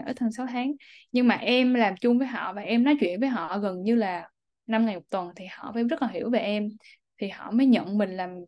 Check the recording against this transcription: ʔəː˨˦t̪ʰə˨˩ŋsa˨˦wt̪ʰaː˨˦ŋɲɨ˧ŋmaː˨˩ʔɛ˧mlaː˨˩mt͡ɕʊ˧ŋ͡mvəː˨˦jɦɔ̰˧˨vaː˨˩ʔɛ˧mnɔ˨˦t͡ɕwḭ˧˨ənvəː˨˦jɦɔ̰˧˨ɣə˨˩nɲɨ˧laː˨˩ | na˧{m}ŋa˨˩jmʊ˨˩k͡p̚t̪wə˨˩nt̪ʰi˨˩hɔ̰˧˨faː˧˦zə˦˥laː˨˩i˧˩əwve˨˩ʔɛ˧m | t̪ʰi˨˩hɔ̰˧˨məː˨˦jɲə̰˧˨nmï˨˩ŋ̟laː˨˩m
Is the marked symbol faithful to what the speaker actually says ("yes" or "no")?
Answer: yes